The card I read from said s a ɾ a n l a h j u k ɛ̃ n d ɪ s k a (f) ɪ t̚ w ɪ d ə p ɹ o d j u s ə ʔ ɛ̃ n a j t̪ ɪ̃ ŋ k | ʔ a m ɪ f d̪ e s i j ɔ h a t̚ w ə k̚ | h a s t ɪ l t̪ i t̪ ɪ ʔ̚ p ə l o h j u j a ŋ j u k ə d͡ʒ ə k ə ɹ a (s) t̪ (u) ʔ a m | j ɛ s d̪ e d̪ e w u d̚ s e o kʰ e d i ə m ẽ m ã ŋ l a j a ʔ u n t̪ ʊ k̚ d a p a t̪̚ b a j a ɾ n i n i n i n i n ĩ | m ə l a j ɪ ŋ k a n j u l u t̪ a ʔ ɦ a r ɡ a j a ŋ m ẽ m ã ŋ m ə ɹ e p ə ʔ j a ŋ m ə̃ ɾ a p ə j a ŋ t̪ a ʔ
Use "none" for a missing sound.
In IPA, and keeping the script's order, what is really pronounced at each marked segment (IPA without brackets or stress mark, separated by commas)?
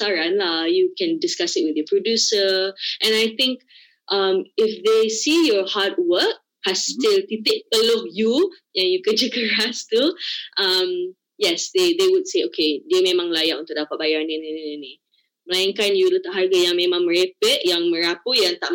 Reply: s, s, u